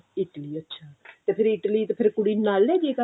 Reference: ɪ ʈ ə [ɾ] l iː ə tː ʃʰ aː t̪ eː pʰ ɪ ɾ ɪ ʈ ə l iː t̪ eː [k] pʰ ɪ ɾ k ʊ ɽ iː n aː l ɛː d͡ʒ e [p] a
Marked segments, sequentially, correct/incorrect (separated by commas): incorrect, incorrect, incorrect